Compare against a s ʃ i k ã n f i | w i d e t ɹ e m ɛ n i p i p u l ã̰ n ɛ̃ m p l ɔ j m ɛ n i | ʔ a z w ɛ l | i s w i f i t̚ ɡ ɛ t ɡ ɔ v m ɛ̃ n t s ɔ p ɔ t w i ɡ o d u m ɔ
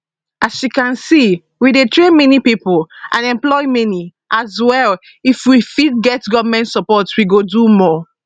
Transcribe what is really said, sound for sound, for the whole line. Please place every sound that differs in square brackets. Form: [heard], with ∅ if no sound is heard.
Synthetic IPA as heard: a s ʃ i k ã n [s] i | w i d e t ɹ e m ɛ n i p i p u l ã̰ n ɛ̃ m p l ɔ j m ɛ n i | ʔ a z w ɛ l | i [f] w i f i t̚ ɡ ɛ t ɡ ɔ v m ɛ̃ n t s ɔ p ɔ t w i ɡ o d u m ɔ